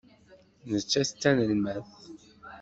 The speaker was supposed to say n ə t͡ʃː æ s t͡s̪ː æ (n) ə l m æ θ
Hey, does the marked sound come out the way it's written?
yes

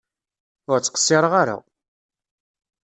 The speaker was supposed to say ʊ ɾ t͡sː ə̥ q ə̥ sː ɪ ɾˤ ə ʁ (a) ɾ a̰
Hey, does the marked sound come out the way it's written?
yes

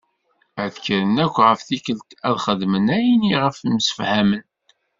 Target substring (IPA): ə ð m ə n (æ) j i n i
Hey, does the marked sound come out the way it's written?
yes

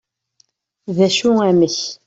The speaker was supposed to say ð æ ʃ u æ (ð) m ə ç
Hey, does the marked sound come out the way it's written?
no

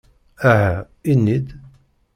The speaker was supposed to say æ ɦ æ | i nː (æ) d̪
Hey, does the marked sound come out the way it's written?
no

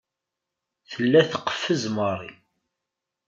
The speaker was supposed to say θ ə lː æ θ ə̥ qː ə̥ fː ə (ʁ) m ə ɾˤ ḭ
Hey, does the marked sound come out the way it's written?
no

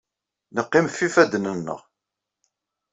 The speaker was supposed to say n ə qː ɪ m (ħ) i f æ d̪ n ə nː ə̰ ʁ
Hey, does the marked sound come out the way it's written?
no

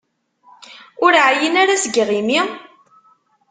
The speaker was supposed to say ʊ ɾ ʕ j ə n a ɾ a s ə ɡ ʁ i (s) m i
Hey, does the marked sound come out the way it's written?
no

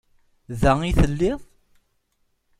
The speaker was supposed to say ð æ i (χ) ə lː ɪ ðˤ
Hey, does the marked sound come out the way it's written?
no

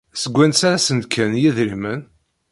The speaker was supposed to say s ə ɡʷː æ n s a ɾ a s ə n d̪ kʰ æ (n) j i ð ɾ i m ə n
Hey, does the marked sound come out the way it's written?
yes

